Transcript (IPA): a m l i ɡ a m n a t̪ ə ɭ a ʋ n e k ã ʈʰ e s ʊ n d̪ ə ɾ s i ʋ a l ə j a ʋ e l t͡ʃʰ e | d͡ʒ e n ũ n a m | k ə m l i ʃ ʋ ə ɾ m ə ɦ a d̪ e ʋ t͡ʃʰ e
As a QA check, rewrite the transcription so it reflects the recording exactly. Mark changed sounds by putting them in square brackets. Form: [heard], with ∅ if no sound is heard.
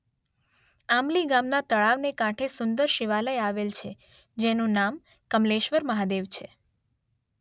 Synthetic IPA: a m l i ɡ a m n a t̪ ə ɭ a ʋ n e k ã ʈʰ e s ʊ n d̪ ə ɾ [ʃ] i ʋ a l ə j a ʋ e l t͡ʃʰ e | d͡ʒ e n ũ n a m | k ə m l [e] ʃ ʋ ə ɾ m ə ɦ a d̪ e ʋ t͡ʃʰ e

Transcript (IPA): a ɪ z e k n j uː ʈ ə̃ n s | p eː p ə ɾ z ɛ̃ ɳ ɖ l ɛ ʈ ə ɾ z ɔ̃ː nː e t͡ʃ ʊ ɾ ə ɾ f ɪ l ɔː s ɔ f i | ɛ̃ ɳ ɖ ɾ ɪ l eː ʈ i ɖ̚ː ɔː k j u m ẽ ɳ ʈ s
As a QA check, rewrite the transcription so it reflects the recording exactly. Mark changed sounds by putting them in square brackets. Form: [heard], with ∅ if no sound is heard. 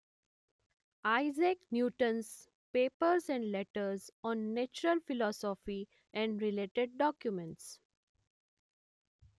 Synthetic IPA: a ɪ z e k n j uː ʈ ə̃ n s | p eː p ə ɾ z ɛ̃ ɳ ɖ l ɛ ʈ ə ɾ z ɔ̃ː nː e t͡ʃ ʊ ɾ ə [l] f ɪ l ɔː s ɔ f i | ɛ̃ ɳ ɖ ɾ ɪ l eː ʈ [e] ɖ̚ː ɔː k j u m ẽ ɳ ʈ s

